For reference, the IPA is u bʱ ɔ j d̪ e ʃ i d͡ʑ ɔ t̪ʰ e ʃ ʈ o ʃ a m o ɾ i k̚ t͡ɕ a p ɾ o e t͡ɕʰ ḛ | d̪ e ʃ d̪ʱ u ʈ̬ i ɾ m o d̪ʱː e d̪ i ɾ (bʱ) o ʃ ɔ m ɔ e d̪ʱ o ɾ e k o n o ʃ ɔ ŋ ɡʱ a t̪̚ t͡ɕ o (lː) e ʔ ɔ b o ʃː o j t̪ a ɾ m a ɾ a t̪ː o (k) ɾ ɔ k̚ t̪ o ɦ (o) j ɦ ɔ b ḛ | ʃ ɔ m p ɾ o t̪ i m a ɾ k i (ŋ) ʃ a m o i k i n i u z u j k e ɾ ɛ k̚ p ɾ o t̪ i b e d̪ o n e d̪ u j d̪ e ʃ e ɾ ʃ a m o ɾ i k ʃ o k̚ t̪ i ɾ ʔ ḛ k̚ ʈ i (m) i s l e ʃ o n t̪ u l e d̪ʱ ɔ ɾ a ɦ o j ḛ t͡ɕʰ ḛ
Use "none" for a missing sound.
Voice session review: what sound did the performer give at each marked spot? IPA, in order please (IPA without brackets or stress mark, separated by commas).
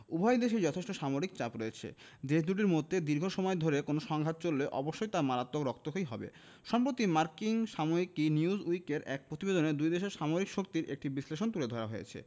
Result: ɡʱ, lː, k, o, ŋ, b